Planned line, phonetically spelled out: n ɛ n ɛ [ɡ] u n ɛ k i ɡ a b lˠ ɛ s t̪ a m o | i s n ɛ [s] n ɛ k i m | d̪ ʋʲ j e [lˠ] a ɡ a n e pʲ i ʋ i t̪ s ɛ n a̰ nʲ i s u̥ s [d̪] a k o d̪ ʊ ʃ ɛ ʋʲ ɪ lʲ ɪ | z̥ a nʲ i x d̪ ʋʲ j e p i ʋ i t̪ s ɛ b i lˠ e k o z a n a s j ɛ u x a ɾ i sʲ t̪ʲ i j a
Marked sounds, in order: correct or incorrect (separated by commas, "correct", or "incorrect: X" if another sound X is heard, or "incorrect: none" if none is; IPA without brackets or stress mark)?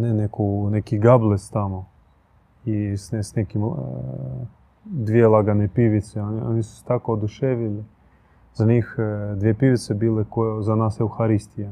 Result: incorrect: k, correct, correct, incorrect: t̪